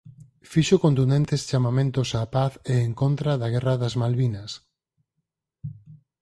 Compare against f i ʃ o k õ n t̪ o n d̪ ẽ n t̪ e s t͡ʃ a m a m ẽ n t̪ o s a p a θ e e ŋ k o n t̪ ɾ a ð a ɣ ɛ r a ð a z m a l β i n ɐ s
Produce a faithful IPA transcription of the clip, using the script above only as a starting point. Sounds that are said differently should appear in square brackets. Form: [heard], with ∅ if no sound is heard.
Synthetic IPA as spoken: f i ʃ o k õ n t̪ [u] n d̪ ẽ n t̪ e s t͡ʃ a m a m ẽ n t̪ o s a p a θ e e ŋ k o n t̪ ɾ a ð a ɣ ɛ r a ð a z m a l β i n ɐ s